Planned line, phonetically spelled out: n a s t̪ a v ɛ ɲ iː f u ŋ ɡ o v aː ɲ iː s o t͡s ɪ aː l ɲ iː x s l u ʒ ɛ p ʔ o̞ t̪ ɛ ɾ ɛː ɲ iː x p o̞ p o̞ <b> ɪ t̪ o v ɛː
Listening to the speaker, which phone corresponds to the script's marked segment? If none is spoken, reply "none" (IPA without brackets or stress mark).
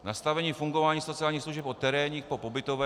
b